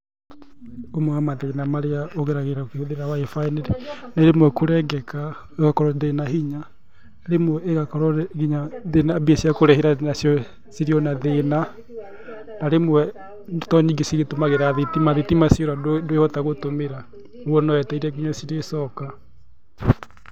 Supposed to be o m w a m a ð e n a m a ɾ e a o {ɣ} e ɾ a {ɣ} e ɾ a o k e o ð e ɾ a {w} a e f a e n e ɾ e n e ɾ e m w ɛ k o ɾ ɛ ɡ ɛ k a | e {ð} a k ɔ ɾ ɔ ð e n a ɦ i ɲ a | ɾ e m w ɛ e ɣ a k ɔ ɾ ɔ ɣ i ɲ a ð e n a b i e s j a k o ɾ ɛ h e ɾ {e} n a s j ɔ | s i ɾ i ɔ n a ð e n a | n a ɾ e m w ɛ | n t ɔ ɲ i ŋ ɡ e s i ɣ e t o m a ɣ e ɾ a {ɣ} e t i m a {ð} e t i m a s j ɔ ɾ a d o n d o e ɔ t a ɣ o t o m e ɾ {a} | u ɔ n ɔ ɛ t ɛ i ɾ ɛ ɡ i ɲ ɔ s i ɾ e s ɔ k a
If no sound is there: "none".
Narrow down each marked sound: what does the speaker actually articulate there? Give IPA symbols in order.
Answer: ɣ, ɣ, w, ɣ, a, ð, ð, a

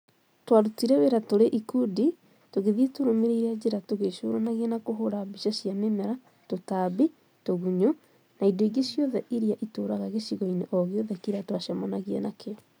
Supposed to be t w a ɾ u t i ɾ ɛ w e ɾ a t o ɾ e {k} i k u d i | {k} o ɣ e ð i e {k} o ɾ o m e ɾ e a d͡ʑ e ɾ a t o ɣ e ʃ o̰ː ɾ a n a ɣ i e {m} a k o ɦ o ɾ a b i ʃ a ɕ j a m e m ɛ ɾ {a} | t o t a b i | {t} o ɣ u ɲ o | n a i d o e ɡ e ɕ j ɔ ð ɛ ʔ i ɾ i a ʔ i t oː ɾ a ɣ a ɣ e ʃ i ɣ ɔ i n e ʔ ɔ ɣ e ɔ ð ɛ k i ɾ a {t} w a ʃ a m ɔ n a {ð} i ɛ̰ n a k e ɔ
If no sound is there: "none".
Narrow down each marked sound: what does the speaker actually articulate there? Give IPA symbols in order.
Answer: ʔ, t, t, n, a, t, t, ɣ

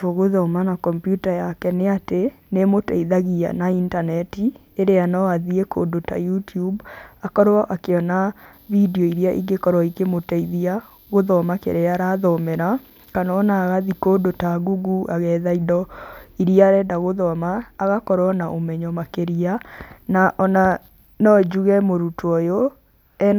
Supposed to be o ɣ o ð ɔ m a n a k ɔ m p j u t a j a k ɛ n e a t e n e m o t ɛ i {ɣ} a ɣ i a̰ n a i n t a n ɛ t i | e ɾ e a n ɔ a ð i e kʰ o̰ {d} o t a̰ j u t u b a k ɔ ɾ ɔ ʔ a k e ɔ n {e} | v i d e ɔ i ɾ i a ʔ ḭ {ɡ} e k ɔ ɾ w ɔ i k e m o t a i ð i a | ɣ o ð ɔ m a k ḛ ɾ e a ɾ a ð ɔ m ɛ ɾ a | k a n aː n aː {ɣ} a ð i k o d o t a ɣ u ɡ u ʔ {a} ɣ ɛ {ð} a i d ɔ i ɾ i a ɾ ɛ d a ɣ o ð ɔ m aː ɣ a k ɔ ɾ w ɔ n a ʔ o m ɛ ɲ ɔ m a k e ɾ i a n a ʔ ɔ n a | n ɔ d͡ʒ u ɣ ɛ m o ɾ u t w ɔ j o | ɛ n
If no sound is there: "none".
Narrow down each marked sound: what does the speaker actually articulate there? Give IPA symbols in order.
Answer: ð, d, a, ɡ, ɣ, a, ð

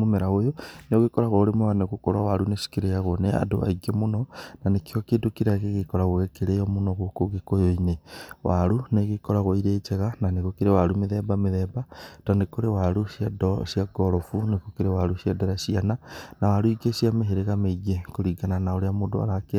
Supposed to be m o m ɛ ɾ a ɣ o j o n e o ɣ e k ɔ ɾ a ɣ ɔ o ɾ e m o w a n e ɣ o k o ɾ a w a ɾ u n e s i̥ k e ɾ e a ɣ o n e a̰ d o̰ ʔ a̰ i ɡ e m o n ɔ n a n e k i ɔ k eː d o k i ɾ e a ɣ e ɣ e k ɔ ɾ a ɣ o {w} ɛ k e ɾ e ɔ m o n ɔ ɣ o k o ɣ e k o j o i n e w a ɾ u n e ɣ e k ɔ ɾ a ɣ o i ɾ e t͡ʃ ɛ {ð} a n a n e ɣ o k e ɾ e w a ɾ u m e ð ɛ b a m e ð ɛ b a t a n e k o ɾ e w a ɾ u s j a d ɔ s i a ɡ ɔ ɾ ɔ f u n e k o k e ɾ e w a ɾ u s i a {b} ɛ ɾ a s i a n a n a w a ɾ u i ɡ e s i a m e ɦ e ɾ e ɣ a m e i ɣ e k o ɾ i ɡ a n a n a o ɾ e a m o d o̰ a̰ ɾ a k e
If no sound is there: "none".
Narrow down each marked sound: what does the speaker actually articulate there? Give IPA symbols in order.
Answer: ɣ, ɣ, d

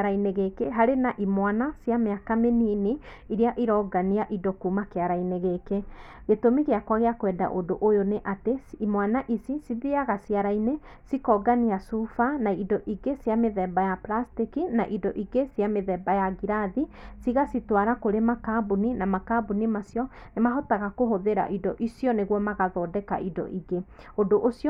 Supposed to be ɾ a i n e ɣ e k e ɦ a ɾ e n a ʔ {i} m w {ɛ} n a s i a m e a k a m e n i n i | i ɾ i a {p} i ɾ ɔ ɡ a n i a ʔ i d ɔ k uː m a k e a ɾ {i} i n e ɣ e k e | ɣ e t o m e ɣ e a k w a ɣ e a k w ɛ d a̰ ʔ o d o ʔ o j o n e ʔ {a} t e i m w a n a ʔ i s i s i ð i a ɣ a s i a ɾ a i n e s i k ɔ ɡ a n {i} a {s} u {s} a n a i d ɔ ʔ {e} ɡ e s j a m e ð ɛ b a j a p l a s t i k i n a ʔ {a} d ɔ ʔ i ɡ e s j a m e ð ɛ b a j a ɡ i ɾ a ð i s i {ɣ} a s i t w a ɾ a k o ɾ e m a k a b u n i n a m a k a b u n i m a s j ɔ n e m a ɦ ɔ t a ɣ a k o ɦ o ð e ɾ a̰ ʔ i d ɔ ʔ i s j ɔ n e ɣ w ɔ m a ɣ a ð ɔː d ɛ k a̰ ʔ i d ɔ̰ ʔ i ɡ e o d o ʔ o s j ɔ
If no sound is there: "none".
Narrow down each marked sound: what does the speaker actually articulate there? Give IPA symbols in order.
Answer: i, a, ʔ, a, a, i, s, f, i, i, ɣ

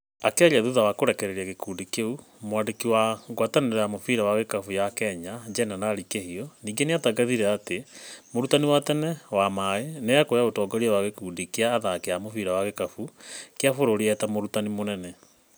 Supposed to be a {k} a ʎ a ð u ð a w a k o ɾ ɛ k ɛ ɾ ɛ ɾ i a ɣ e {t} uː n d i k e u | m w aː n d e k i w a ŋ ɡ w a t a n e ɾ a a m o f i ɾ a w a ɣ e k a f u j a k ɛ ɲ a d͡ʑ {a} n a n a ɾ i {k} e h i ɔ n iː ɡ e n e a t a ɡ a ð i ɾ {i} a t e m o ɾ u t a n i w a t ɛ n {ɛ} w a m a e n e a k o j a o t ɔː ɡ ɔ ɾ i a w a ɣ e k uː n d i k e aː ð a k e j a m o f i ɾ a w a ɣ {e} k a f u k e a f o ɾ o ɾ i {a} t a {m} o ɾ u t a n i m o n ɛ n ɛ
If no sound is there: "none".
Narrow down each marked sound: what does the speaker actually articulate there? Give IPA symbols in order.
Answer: k, k, ɛ, k, ɛ, ɛ, e, ɛ, m

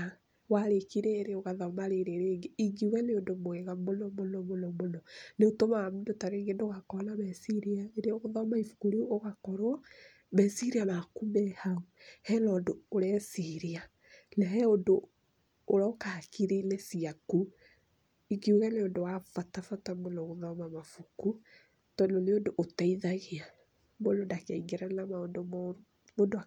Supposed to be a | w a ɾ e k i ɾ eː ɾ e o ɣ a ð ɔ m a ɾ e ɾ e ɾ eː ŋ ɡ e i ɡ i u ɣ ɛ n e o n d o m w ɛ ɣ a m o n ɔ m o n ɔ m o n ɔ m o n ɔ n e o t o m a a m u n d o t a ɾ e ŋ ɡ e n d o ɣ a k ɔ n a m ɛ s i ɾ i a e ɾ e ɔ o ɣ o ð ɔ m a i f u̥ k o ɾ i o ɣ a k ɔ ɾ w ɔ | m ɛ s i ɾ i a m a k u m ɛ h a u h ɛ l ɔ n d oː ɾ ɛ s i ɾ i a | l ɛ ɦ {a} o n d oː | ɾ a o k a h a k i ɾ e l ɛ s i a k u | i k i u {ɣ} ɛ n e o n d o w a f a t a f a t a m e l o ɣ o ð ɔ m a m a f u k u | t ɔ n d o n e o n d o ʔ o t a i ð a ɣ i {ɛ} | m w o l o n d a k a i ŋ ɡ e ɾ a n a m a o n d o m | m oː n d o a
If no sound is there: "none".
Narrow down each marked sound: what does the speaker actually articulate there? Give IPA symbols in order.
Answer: ɛ, ɣ, a

